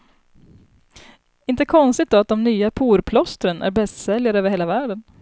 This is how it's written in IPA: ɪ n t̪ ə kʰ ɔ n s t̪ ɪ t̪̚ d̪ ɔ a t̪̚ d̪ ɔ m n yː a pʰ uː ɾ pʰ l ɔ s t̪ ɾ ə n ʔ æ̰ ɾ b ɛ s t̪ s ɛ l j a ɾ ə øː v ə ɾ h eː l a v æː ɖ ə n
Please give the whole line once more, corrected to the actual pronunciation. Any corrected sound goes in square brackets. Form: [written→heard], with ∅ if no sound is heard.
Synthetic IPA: ɪ n t̪ ə kʰ ɔ n s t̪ ɪ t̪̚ d̪ ɔ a t̪̚ d̪ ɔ m n yː a pʰ uː ɾ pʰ l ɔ s t̪ ɾ ə n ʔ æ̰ ɾ b ɛ s t̪ s ɛ l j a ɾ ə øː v ə ɾ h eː l a v æː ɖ ə n